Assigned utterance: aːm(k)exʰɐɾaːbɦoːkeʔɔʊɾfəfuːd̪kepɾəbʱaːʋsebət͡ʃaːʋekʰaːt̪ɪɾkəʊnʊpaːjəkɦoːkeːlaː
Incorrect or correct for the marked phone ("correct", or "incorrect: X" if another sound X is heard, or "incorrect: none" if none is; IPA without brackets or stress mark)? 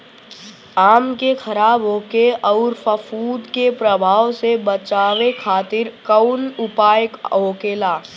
correct